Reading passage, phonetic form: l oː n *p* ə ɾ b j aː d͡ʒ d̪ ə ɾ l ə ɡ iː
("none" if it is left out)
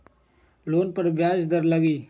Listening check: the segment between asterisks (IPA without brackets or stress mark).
p